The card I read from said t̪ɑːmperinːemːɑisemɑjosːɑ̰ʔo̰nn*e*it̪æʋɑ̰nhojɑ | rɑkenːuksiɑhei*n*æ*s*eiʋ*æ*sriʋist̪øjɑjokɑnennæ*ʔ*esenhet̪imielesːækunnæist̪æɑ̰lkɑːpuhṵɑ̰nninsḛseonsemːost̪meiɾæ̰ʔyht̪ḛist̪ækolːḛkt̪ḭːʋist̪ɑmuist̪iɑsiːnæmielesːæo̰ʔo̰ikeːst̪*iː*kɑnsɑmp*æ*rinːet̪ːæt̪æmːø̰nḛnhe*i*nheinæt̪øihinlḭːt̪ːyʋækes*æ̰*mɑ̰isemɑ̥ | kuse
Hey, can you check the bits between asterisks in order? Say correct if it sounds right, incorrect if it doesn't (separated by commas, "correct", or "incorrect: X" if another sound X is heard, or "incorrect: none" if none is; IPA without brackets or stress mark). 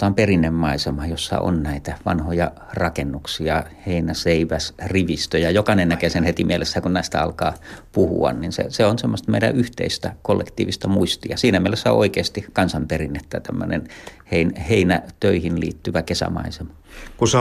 incorrect: æ, correct, correct, correct, incorrect: k, incorrect: i, incorrect: e, correct, correct